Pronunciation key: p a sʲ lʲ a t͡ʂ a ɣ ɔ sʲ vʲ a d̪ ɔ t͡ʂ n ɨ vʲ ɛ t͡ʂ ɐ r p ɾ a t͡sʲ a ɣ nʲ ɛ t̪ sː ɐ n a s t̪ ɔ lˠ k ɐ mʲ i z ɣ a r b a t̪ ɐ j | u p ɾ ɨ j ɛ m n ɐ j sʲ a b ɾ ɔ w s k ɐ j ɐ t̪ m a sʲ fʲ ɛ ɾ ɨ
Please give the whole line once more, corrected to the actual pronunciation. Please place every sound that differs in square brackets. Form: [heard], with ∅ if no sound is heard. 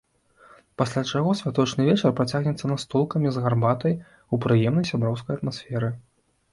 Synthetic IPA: p a sʲ lʲ a t͡ʂ a ɣ ɔ sʲ vʲ a [t̪] ɔ t͡ʂ n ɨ vʲ ɛ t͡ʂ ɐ r p ɾ a t͡sʲ a ɣ nʲ ɛ t̪ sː ɐ n a s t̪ ɔ lˠ k ɐ mʲ i z ɣ a r b a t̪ ɐ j | u p ɾ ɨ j ɛ m n ɐ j sʲ a b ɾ ɔ w s k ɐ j ɐ t̪ m a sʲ fʲ ɛ ɾ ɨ